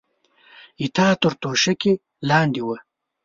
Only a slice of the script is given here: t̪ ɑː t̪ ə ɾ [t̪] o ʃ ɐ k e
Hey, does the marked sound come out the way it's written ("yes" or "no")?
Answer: yes